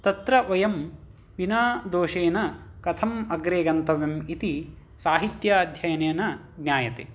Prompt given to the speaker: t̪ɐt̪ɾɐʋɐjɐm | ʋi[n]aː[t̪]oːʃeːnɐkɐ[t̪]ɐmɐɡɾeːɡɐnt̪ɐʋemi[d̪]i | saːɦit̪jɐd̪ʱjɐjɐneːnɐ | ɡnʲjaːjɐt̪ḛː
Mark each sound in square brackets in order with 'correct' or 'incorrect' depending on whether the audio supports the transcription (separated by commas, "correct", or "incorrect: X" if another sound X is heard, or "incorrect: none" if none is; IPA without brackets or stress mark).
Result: correct, incorrect: d̪, incorrect: t̪ʰ, incorrect: t̪